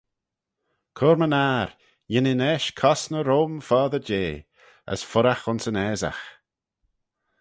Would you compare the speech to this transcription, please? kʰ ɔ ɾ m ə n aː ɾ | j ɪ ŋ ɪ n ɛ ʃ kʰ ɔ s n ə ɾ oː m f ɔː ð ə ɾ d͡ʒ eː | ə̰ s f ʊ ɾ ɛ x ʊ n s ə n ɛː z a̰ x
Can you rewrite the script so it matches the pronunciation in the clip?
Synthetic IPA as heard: kʰ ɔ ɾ m ə n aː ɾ | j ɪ n ɪ n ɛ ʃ kʰ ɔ s n ə ɾ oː m f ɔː ð ə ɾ d͡ʒ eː | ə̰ s f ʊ ɾ a x ʊ n s ə n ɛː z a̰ x